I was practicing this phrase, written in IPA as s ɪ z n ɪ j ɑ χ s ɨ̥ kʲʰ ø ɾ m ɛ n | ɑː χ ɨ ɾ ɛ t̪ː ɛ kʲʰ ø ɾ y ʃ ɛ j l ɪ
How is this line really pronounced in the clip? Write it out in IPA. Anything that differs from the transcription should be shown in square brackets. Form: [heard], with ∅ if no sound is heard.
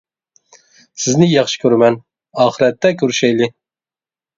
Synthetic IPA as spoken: s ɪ z n ɪ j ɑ χ [ʃ] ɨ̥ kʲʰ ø ɾ m ɛ n | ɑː χ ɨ ɾ ɛ t̪ː ɛ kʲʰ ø ɾ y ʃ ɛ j l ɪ